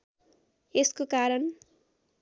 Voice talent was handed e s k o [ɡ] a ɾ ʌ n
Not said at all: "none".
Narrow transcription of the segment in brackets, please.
k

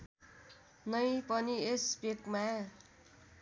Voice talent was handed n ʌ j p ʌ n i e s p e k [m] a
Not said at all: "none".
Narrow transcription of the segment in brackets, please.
m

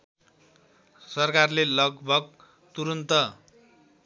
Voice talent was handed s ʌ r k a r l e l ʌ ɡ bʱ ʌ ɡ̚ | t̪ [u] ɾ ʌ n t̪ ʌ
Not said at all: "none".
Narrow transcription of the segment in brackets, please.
u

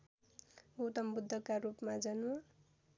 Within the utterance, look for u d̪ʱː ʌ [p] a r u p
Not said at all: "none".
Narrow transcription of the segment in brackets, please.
k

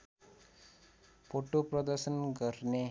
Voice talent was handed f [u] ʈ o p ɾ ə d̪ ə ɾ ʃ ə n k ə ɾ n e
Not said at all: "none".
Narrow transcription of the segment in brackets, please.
o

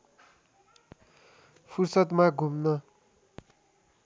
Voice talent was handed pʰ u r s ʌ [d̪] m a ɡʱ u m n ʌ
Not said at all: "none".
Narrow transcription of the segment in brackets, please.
t̪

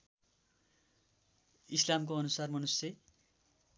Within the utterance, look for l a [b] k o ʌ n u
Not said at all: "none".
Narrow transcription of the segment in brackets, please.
m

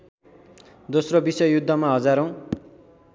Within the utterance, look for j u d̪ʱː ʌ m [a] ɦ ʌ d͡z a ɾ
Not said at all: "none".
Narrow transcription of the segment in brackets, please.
a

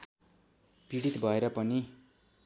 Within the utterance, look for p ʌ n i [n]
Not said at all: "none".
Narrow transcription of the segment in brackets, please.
none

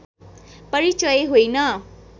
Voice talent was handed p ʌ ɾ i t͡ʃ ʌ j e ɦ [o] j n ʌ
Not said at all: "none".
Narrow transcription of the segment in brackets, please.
o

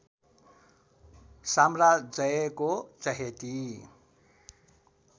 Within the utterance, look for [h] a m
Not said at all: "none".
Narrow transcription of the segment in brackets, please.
s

